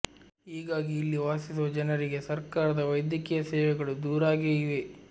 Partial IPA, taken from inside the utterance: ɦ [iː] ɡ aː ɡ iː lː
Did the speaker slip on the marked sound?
no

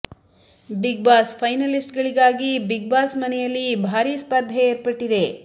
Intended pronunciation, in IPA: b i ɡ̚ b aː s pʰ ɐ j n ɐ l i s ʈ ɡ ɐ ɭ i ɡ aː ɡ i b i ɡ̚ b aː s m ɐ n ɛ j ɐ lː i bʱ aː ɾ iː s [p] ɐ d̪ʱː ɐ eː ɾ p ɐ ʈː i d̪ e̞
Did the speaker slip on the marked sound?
no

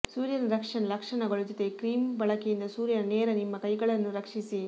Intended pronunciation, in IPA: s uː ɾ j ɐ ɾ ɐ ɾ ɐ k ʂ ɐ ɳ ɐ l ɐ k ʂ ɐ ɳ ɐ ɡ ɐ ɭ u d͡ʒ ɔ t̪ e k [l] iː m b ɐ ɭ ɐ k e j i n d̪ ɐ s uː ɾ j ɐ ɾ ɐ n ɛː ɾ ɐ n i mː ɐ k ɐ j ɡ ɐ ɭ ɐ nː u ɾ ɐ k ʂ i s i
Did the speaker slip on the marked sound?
yes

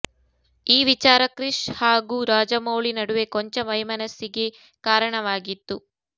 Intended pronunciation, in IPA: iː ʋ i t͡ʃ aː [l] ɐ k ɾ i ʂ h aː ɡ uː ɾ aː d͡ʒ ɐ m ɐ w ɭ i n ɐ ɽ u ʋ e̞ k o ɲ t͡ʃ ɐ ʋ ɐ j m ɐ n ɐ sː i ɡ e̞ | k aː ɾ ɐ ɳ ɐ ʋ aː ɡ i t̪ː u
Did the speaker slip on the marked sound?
yes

